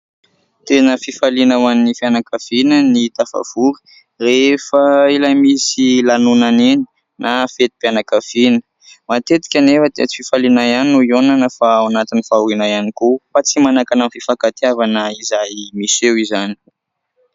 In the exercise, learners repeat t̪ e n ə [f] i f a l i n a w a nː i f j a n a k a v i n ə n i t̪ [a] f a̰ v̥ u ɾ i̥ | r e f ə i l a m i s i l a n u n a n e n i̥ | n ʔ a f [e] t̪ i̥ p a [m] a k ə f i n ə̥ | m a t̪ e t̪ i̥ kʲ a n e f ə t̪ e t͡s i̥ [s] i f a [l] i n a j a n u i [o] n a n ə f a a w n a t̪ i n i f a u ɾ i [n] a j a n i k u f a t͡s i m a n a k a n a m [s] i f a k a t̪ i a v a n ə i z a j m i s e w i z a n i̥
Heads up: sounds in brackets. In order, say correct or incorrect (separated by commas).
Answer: correct, correct, correct, incorrect, incorrect, correct, correct, correct, incorrect